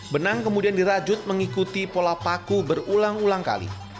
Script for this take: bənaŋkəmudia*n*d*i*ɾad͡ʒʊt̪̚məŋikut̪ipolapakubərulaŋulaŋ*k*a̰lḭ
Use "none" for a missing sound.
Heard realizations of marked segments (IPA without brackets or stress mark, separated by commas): n, i, k